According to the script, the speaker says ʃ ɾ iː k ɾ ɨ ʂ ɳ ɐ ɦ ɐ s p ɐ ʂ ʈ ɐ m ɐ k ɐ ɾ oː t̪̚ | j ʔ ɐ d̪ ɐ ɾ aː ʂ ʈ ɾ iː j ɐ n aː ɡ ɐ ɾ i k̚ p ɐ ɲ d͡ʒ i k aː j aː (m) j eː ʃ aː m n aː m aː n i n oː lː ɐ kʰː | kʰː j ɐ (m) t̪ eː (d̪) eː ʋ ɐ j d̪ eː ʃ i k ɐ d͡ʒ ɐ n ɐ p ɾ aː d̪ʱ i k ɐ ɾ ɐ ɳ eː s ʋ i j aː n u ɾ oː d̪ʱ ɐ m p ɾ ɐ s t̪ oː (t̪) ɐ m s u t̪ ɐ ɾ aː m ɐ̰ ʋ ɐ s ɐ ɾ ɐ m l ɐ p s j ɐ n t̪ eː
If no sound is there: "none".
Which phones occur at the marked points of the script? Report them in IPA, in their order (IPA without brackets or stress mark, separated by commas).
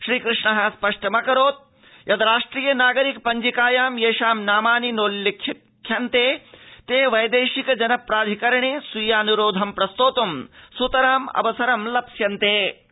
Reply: m, n, t̪, t̪